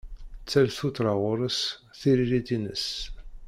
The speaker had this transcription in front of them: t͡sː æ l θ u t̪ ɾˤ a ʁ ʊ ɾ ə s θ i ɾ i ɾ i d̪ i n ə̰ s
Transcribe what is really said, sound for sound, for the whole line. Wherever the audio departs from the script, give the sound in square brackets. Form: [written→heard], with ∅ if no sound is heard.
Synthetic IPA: t͡sː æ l θ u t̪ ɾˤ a ʁ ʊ ɾ ə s θ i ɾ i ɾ i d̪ i n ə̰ s